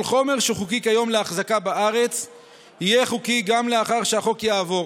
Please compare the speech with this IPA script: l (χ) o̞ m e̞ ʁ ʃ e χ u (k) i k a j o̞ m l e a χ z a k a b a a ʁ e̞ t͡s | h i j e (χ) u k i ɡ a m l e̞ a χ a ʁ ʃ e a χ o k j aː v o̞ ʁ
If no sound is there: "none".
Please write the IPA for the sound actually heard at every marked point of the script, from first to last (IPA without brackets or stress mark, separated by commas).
χ, k, χ